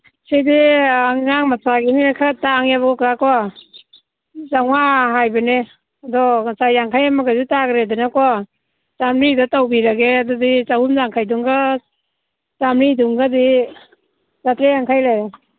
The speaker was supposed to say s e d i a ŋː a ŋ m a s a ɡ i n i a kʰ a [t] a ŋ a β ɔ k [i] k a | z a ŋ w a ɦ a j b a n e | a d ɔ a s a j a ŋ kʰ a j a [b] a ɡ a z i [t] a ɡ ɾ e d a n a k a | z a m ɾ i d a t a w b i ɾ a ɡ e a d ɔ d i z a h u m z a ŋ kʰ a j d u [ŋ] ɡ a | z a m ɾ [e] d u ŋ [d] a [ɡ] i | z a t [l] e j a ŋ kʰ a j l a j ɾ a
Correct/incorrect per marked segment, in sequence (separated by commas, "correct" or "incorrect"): correct, incorrect, incorrect, correct, correct, incorrect, incorrect, incorrect, incorrect